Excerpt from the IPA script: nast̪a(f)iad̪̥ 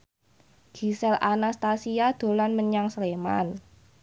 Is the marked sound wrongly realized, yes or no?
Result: yes